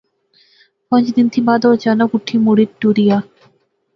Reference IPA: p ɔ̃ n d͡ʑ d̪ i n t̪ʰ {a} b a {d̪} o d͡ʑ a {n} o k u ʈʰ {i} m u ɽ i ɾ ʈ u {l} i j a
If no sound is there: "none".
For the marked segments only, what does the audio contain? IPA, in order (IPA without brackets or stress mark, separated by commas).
i, d̪, n, i, ɾ